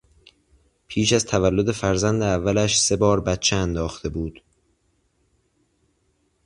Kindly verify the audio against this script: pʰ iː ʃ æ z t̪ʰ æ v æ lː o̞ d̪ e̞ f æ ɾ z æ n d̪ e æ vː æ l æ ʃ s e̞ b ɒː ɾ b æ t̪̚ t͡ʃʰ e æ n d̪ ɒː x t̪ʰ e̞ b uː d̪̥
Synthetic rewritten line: pʰ iː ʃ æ z t̪ʰ æ v æ lː o̞ d̪ e̞ f æ ɾ z æ n d̪ e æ vː æ l æ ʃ s e̞ b ɒː ɾ b æ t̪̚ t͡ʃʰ e æ n d̪ ɒː x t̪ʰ e̞ b uː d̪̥